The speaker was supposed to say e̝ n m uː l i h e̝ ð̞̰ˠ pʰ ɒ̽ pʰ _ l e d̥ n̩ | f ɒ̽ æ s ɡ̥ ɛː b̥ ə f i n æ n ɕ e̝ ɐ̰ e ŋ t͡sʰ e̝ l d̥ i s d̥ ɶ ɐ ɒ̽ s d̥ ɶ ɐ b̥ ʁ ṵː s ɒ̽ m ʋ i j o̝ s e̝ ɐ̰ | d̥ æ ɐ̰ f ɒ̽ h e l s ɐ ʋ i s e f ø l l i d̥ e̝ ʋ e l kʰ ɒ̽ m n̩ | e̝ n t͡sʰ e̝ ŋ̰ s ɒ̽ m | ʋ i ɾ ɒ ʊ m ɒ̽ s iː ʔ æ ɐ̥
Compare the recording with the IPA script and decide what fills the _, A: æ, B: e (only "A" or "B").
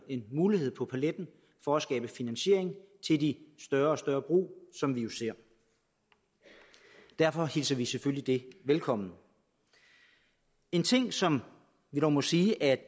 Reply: A